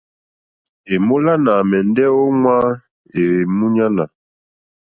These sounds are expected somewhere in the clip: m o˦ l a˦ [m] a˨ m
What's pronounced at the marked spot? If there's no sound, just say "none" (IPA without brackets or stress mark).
n